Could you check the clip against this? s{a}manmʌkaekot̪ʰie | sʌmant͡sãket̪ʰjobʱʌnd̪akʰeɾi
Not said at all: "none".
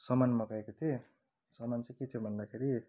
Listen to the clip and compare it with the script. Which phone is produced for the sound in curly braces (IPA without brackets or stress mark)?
ʌ